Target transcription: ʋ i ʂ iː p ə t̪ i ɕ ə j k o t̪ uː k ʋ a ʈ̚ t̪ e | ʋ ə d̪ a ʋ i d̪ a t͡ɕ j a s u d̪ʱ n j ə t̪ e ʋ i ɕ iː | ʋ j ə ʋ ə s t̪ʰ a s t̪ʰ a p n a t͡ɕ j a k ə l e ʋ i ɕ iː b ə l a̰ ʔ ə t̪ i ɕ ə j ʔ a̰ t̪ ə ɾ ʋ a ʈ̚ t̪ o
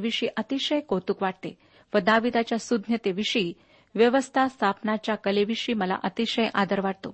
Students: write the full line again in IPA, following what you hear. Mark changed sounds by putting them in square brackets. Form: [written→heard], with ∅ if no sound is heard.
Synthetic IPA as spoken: ʋ i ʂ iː [p→ʔ] ə t̪ i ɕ ə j k o t̪ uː k ʋ a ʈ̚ t̪ e | ʋ ə d̪ a ʋ i d̪ a t͡ɕ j a s u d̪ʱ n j ə t̪ e ʋ i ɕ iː | ʋ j ə ʋ ə s t̪ʰ a s t̪ʰ a p n a t͡ɕ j a k ə l e ʋ i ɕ iː [b→m] ə l a̰ ʔ ə t̪ i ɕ ə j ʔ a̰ [t̪→d̪] ə ɾ ʋ a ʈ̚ t̪ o